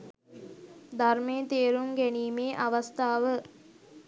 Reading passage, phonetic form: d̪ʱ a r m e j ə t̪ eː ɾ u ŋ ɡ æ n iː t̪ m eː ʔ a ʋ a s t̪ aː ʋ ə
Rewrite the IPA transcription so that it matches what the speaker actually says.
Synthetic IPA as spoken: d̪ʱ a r m e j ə t̪ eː ɾ u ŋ ɡ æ n iː m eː ʔ a ʋ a s t̪ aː ʋ ə

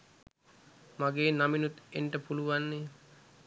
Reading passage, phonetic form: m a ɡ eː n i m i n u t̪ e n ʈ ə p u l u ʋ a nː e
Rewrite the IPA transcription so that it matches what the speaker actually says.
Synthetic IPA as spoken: m a ɡ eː n a m i n u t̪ e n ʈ ə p u l u ʋ a nː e

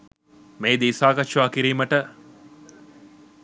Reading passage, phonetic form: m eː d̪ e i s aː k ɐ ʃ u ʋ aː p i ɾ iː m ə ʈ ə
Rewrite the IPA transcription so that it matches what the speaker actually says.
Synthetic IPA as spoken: m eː d̪ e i s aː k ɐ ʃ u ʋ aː k i ɾ iː m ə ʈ ə

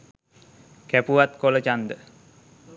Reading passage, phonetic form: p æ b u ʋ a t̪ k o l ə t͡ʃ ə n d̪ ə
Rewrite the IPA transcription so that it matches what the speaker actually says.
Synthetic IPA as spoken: k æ p u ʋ a t̪ k o l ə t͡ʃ a n d̪ ə

